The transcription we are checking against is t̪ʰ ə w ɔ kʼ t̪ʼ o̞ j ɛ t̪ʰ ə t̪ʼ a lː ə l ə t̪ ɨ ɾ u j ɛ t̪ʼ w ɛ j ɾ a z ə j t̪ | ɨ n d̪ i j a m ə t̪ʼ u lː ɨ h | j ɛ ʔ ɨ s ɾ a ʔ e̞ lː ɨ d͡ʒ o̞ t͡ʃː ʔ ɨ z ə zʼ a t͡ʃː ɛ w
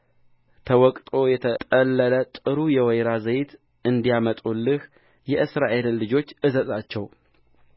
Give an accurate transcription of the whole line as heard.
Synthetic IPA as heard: t̪ʰ ə w ɔ kʼ t̪ʼ o̞ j ɛ t̪ʰ ə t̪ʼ ə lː ə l ə t̪ʼ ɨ ɾ u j ɛ w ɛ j ɾ a z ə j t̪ | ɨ n d̪ i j a m ə t̪ʼ u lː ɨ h | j ɛ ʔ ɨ s ɾ a ʔ e̞ lː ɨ d͡ʒ o̞ t͡ʃː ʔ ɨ z ə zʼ a t͡ʃː ɛ w